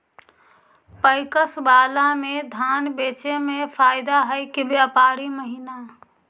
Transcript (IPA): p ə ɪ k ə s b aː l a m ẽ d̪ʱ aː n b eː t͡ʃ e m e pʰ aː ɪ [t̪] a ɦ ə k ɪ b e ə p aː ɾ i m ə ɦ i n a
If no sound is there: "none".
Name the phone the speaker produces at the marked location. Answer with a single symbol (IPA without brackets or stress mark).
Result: d̪